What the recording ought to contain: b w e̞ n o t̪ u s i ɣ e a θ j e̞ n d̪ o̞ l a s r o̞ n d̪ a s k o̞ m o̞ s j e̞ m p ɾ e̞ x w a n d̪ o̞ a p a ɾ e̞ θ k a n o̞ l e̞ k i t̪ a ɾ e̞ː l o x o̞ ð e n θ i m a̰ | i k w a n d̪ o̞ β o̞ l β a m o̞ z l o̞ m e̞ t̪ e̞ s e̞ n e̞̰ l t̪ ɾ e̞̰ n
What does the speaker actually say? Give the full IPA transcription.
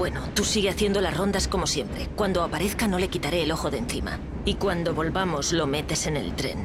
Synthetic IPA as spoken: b w e̞ n o t̪ u s i ɣ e a θ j e̞ n d̪ o̞ l a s r o̞ n d̪ a s k o̞ m o̞ s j e̞ m p ɾ e̞ k w a n d̪ o̞ a p a ɾ e̞ θ k a n o̞ l e̞ k i t̪ a ɾ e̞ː l o x o̞ ð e n θ i m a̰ | i k w a n d̪ o̞ β o̞ l β a m o̞ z l o̞ m e̞ t̪ e̞ s e̞ n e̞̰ l t̪ ɾ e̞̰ n